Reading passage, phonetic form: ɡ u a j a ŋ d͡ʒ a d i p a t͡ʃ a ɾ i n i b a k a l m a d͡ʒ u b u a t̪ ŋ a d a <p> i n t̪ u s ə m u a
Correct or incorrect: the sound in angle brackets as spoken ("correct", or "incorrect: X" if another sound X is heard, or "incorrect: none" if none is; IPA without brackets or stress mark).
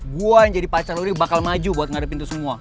correct